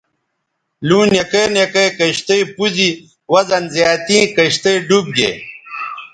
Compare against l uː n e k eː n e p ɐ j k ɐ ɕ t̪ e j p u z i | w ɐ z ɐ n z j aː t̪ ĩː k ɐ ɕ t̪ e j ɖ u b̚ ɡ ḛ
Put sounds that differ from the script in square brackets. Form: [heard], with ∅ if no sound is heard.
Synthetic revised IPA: l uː n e k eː n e [k] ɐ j k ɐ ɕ t̪ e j p u z i | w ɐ z ɐ n z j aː t̪ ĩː k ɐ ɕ t̪ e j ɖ u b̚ ɡ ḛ